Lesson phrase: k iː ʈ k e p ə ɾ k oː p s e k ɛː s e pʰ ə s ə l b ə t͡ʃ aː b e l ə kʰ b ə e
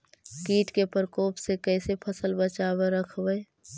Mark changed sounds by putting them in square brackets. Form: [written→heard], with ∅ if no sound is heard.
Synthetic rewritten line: k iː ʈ k e p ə ɾ k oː p s e k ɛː s e pʰ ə s ə l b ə t͡ʃ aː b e [l→ɾ] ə kʰ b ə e